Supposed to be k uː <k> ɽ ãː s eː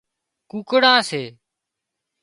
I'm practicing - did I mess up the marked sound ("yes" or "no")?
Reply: no